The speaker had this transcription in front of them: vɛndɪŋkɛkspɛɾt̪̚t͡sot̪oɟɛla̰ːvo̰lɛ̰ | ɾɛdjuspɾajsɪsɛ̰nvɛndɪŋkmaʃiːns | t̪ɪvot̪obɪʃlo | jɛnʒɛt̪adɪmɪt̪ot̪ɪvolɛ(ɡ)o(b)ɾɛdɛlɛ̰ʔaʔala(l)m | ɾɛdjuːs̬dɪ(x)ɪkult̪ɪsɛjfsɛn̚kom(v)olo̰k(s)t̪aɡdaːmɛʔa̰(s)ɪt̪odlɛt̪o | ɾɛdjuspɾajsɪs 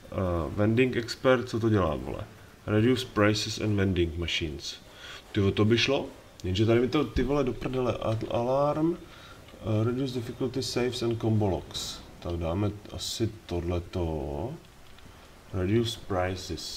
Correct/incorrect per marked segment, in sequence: incorrect: d, incorrect: p, incorrect: ɾ, incorrect: f, incorrect: b, correct, correct

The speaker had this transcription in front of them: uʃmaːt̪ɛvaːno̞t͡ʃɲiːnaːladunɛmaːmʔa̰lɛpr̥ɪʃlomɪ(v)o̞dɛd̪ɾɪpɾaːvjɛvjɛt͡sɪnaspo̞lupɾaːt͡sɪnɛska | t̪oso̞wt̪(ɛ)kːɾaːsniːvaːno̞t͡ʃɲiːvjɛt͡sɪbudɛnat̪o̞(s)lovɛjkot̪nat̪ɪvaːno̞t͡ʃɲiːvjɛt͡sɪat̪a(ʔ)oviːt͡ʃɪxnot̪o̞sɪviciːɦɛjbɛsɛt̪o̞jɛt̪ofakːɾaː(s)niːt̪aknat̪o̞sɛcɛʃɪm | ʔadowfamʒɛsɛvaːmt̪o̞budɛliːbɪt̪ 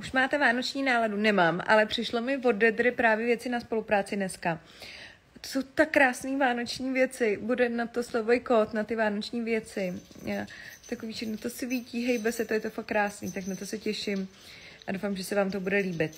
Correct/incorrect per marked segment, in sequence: correct, incorrect: a, correct, incorrect: k, correct

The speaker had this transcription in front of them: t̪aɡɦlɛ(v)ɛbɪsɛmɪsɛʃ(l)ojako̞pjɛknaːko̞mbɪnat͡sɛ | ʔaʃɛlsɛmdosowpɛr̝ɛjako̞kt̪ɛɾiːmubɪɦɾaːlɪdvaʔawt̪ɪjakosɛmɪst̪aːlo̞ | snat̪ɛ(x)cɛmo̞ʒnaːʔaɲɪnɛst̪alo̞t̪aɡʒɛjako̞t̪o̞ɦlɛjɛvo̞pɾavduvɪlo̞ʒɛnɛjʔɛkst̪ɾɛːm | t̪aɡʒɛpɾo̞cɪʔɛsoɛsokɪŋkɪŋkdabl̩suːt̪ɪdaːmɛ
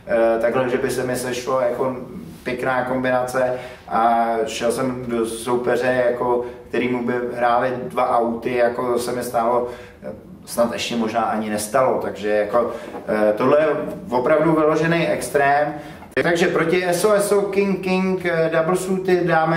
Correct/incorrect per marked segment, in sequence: incorrect: ʒ, correct, incorrect: ʃ

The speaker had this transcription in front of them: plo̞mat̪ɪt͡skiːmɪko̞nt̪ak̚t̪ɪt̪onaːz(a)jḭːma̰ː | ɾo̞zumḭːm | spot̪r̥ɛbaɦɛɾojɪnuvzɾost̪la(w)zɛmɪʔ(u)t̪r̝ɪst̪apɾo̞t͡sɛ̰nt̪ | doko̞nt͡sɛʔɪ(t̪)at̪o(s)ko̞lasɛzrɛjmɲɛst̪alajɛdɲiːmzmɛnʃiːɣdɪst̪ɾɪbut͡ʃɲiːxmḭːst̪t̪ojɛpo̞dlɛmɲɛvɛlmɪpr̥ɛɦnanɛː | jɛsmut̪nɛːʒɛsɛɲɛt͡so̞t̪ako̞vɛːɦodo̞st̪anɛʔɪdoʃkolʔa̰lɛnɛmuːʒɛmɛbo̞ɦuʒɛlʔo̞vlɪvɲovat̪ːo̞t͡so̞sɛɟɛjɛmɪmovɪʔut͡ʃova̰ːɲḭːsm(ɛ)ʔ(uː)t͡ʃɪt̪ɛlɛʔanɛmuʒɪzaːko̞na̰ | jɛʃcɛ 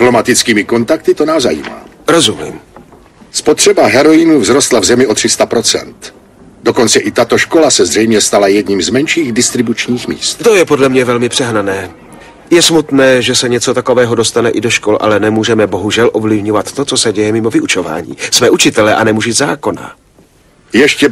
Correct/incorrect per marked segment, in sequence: correct, incorrect: v, incorrect: o, correct, incorrect: ʃ, incorrect: ɛː, incorrect: u

